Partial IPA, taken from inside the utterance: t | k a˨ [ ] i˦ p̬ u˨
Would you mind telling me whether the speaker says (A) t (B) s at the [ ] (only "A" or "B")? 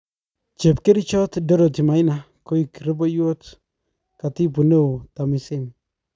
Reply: A